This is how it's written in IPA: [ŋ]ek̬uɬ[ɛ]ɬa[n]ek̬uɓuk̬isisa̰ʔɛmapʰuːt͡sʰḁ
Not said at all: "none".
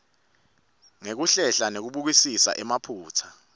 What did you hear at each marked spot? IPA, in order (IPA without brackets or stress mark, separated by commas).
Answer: ŋ, ɛ, n